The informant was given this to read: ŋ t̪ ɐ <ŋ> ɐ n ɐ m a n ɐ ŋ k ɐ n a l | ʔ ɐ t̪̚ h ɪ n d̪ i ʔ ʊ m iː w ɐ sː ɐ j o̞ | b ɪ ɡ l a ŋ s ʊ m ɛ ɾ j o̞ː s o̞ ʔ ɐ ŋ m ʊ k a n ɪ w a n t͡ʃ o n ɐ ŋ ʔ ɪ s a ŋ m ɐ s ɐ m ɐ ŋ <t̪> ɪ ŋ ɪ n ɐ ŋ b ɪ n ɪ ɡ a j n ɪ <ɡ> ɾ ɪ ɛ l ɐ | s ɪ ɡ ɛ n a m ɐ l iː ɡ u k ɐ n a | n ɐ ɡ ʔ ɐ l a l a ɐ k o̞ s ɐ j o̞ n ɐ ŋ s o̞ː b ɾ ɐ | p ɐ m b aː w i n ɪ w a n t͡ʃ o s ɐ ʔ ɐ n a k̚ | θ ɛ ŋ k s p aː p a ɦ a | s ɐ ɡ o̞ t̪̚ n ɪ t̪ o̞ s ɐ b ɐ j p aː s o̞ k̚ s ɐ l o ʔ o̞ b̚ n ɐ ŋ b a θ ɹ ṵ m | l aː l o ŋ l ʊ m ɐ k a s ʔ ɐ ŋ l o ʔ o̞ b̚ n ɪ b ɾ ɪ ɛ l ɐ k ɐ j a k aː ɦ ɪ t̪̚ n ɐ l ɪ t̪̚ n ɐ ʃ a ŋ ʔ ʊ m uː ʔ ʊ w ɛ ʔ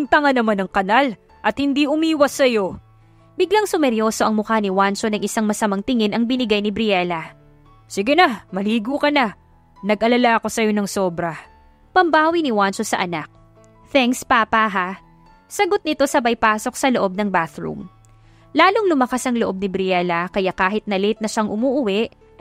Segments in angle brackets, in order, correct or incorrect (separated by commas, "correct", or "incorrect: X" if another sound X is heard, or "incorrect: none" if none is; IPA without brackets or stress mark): correct, correct, incorrect: b